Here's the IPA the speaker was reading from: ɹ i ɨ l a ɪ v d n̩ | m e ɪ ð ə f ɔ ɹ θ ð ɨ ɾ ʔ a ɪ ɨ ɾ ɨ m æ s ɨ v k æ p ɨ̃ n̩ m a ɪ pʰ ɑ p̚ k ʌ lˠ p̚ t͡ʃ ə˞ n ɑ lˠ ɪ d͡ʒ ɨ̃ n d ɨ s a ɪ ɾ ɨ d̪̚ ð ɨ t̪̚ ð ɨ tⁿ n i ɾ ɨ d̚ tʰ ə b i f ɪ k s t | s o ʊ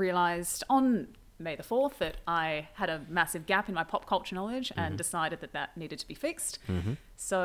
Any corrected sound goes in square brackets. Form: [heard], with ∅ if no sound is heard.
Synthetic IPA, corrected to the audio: ɹ i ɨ l a ɪ [z] d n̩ | m e ɪ ð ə f ɔ ɹ θ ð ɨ ɾ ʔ a ɪ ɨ ɾ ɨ m æ s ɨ v [ɡ] æ p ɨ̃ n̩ m a ɪ pʰ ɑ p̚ [kʰ] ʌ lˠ p̚ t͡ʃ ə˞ n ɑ lˠ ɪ d͡ʒ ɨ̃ n d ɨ s a ɪ ɾ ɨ d̪̚ ð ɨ t̪̚ ð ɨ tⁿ n i ɾ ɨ d̚ tʰ ə b i f ɪ k s t | s o ʊ